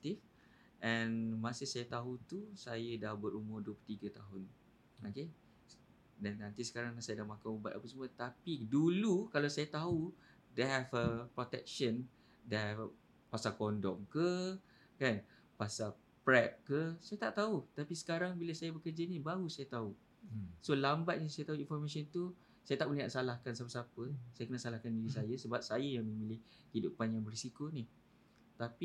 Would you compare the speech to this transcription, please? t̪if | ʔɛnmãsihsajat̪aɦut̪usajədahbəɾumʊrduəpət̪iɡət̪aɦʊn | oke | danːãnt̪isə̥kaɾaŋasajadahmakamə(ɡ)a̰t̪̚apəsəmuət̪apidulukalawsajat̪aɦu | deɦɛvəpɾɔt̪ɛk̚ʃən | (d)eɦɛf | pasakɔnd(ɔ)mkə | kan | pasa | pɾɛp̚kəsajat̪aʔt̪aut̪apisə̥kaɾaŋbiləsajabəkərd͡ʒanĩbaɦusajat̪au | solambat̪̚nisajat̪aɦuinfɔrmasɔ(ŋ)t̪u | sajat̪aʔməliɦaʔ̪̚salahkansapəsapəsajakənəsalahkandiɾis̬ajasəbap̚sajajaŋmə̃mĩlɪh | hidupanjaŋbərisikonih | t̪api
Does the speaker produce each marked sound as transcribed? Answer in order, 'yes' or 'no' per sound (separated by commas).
no, yes, yes, no